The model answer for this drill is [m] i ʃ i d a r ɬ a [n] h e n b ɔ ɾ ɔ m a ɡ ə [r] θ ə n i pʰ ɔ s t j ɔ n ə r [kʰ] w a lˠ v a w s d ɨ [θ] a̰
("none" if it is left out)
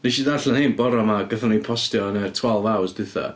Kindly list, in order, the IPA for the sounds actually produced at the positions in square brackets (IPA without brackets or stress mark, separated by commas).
n, n, none, tʰ, θ